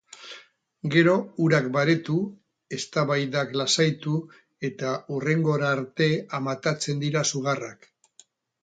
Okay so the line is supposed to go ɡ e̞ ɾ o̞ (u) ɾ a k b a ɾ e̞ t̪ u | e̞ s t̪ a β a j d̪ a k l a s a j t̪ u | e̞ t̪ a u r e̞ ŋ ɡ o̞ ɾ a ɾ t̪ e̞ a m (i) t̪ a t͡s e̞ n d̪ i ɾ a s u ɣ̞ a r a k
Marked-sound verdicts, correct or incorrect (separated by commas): correct, incorrect